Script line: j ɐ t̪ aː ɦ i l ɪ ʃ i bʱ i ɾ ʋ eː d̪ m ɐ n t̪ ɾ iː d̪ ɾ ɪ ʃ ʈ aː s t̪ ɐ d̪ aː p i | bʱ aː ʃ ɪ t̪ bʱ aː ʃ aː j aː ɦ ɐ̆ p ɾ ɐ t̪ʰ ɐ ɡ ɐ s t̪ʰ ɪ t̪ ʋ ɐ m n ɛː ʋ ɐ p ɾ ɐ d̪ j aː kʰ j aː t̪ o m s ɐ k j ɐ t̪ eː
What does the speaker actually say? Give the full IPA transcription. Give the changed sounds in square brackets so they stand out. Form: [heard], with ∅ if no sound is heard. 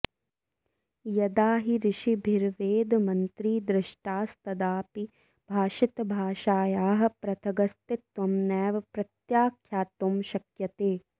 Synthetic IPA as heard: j ɐ [d̪] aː ɦ i [ɾ] ɪ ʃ i bʱ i ɾ ʋ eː d̪ m ɐ n t̪ ɾ iː d̪ ɾ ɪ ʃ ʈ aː s t̪ ɐ d̪ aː p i | bʱ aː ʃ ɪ t̪ bʱ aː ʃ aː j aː ɦ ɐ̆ p ɾ ɐ t̪ʰ ɐ ɡ ɐ s [t̪] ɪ t̪ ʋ ɐ m n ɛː ʋ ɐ p ɾ ɐ [t̪] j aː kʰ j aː t̪ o m [ʃ] ɐ k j ɐ t̪ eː

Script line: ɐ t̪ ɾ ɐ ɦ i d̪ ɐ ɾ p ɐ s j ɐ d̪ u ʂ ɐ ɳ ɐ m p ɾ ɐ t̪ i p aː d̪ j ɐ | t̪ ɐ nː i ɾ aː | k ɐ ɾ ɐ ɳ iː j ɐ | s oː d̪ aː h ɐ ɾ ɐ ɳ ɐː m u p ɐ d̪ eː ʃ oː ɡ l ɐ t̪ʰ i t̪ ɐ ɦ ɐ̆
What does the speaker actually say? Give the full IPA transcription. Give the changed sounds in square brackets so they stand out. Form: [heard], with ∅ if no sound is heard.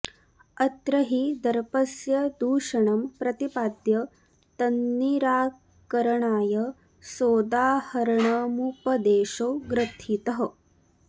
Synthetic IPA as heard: ɐ t̪ ɾ ɐ ɦ i d̪ ɐ ɾ p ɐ s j ɐ d̪ [uː] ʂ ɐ ɳ ɐ m p ɾ ɐ t̪ i p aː d̪ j ɐ | t̪ ɐ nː i ɾ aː | k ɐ ɾ ɐ ɳ [aː] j ɐ | s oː d̪ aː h ɐ ɾ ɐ ɳ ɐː m u p ɐ d̪ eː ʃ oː ɡ [ɾ] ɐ t̪ʰ i t̪ ɐ ɦ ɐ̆

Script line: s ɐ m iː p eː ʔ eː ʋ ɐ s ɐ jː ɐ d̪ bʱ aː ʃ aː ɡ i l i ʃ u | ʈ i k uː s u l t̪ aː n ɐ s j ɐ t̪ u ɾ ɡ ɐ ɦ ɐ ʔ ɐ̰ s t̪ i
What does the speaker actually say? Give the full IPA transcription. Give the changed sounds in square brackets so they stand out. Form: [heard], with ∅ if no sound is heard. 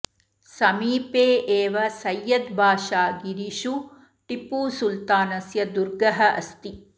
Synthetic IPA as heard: s ɐ m iː p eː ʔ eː ʋ ɐ s ɐ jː ɐ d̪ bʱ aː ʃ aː ɡ i [ɾ] i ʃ u | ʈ i [p] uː s u l t̪ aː n ɐ s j ɐ [d̪] u ɾ ɡ ɐ ɦ ɐ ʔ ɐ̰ s t̪ i

